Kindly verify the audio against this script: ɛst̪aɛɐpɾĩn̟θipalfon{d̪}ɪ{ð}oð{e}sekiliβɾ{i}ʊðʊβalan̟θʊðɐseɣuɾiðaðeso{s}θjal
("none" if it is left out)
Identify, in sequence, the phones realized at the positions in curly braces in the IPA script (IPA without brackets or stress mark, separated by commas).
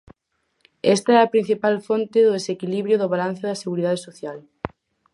t̪, ð, e, j, none